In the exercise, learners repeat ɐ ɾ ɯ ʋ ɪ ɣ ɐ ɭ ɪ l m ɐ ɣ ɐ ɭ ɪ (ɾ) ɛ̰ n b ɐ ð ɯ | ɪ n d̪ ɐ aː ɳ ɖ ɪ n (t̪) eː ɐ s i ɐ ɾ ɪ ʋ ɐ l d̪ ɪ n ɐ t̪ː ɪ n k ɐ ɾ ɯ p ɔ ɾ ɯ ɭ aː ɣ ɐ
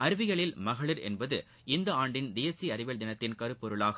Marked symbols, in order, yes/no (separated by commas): yes, no